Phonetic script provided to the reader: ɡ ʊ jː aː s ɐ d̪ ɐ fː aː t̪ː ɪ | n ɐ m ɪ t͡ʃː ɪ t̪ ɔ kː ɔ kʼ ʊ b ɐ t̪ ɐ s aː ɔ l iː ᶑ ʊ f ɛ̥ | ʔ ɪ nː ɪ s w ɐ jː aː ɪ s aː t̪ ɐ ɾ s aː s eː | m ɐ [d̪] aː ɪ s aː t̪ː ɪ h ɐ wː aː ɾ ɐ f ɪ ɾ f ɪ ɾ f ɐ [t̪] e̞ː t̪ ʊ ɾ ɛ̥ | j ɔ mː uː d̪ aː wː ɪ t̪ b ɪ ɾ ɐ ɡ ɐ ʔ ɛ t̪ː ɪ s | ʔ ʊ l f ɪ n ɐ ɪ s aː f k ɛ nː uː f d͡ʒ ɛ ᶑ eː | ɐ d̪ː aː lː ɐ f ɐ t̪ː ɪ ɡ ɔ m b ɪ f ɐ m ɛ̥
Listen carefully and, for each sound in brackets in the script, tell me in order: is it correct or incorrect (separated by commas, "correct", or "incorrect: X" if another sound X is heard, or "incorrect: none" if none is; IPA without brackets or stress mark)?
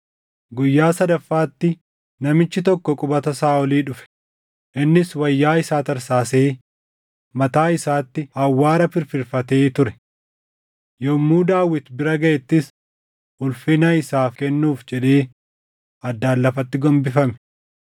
incorrect: t̪, correct